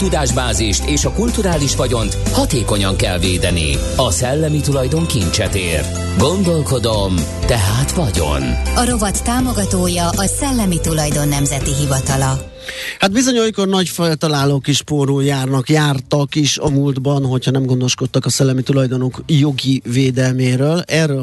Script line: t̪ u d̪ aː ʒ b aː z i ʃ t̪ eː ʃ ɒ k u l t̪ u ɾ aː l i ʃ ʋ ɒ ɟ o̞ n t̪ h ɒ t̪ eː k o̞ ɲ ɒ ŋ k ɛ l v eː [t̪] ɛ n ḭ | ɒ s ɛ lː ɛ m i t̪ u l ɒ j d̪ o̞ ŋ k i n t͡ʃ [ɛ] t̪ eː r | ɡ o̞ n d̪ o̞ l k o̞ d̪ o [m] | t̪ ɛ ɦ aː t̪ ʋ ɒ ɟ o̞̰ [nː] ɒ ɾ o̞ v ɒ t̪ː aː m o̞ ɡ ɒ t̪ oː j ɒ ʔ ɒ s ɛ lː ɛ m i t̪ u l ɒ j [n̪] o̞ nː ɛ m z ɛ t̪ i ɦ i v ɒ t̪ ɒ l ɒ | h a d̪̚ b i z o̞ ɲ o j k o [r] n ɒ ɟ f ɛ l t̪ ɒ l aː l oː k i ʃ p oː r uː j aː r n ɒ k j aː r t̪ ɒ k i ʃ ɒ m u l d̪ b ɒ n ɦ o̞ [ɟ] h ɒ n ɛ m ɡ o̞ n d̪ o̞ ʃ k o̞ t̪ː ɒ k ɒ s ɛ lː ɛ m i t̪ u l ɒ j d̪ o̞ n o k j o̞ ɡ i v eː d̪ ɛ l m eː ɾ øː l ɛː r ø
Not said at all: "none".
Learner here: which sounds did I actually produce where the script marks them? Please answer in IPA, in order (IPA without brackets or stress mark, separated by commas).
d̪, ɛ, m, n, d̪, r, c